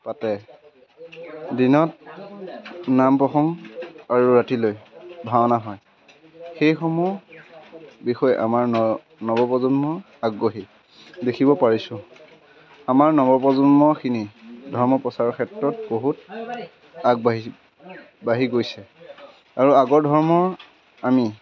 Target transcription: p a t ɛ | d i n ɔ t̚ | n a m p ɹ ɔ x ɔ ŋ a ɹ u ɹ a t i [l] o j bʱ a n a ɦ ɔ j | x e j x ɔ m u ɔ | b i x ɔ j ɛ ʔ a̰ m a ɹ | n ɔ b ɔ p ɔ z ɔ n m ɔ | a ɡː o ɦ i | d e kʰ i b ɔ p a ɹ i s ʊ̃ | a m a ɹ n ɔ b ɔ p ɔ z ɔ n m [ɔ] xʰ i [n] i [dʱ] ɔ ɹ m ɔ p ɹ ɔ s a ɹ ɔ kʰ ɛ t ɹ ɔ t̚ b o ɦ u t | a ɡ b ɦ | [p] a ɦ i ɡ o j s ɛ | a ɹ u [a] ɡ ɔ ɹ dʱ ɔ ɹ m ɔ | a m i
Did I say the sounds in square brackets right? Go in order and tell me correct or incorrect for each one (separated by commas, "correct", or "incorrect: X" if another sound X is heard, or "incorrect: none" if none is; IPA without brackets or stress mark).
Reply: correct, correct, correct, correct, incorrect: b, correct